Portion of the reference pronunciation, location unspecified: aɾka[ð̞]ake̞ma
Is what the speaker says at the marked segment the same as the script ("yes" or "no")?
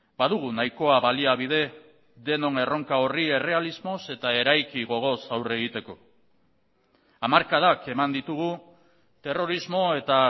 yes